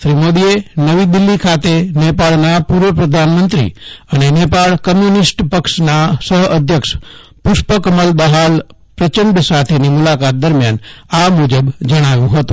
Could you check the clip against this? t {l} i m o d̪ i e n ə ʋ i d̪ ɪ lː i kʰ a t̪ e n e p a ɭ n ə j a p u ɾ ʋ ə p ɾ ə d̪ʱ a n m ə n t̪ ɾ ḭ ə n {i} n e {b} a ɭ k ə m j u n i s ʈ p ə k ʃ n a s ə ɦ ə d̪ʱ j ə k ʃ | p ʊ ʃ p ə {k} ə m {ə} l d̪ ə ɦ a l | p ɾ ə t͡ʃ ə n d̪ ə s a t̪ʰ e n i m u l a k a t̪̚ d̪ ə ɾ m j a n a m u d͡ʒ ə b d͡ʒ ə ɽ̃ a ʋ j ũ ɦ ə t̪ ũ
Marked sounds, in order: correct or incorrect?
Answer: incorrect, incorrect, incorrect, correct, correct

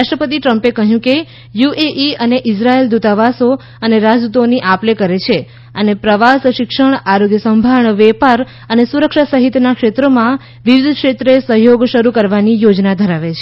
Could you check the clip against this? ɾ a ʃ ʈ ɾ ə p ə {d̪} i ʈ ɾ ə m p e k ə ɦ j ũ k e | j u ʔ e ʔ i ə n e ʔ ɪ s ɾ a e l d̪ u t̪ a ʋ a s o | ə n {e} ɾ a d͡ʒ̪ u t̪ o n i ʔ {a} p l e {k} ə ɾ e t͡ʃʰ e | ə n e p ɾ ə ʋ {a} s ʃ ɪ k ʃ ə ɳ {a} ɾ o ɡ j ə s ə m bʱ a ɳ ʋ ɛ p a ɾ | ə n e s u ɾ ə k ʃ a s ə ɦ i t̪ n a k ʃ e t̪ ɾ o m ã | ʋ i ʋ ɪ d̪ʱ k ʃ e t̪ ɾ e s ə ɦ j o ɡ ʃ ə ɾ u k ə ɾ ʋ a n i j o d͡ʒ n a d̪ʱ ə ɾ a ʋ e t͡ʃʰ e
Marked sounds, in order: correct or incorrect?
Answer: incorrect, correct, correct, correct, correct, correct

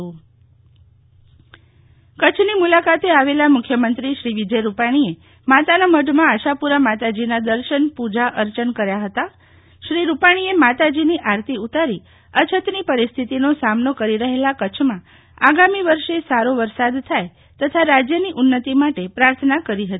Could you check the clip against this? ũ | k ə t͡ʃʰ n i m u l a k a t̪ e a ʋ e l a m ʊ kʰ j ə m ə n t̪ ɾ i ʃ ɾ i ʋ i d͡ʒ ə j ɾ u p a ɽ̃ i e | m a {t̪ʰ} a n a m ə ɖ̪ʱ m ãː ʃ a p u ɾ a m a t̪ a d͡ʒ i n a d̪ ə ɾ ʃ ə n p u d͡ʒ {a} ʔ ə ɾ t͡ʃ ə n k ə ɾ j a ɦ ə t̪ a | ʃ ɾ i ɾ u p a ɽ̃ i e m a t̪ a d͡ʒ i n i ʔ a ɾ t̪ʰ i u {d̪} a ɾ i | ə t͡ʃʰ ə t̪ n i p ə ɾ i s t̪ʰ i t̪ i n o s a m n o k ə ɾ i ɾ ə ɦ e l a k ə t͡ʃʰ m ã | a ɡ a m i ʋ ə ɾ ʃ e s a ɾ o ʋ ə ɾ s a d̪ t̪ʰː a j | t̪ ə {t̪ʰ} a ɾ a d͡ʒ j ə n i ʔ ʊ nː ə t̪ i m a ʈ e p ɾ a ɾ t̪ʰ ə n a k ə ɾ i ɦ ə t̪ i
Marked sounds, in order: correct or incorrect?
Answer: incorrect, correct, incorrect, correct

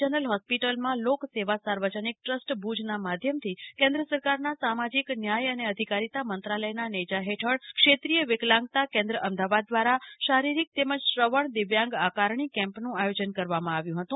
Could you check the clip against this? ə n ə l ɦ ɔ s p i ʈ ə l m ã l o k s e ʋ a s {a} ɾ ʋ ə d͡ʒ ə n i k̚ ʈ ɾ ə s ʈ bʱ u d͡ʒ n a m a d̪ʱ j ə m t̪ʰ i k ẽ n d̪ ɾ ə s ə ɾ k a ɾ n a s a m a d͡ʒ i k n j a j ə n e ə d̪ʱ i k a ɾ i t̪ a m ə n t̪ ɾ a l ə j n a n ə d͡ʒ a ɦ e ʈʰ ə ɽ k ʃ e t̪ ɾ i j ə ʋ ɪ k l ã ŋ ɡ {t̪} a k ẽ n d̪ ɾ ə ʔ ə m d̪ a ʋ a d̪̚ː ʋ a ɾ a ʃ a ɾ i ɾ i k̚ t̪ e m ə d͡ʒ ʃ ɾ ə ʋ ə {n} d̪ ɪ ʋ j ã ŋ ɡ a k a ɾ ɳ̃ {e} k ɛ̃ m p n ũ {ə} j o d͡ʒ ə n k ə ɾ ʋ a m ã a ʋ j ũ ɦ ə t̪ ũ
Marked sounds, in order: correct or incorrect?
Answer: correct, correct, incorrect, incorrect, incorrect

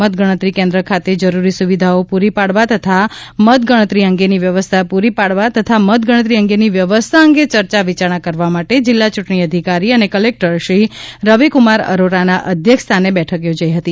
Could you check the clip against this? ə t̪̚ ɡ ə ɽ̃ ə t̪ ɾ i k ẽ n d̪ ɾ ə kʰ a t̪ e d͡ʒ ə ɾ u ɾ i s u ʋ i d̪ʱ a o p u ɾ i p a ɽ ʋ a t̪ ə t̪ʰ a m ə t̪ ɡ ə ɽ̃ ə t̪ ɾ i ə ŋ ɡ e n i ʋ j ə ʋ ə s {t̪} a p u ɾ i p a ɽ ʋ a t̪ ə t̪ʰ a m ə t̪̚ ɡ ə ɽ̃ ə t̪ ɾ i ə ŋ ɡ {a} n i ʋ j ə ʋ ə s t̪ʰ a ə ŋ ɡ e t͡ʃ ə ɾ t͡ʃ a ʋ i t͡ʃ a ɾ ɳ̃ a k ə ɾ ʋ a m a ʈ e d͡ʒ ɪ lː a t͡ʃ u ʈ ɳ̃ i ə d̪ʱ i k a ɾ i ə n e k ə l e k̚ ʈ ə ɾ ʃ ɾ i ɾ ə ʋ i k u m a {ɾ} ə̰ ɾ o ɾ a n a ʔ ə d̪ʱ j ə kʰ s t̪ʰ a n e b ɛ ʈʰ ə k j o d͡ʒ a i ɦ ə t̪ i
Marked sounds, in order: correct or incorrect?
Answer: incorrect, incorrect, correct

